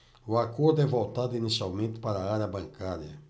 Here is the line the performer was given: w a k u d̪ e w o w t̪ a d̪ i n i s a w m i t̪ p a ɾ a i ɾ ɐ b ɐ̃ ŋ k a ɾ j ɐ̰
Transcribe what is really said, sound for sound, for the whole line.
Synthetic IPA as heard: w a k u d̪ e v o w t̪ a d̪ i n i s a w m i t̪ p a ɾ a a ɾ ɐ b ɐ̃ ŋ k a ɾ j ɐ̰